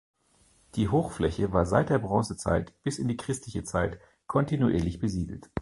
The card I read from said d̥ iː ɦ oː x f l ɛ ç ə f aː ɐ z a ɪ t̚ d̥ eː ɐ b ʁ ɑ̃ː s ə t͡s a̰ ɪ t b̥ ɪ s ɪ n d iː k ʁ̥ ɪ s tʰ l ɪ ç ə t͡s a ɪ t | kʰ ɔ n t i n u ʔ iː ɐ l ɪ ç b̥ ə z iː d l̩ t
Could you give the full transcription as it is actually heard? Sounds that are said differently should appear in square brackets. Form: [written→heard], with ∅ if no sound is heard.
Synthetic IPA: d̥ iː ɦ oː x f l ɛ ç ə [f→v] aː ɐ z a ɪ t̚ d̥ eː ɐ b ʁ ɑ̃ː s ə t͡s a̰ ɪ t b̥ ɪ s ɪ n d iː k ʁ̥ ɪ s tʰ l ɪ ç ə t͡s a ɪ t | kʰ ɔ n t i n u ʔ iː ɐ l ɪ ç b̥ ə z iː d l̩ t